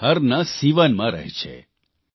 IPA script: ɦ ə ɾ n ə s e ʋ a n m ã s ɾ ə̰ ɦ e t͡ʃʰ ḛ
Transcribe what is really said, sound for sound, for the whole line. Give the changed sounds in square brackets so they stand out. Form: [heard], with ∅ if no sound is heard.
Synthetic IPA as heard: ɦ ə ɾ n [a] s [i] ʋ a n m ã [∅] ɾ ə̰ ɦ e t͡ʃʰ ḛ